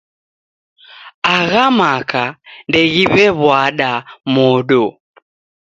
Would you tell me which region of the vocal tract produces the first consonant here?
velum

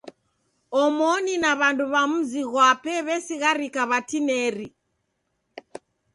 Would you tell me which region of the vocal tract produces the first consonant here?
lips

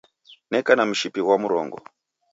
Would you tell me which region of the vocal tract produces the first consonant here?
tongue tip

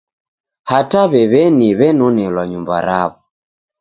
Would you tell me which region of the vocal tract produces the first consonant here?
throat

